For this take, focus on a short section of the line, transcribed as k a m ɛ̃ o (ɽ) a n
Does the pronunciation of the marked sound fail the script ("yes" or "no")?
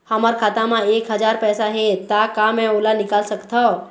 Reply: yes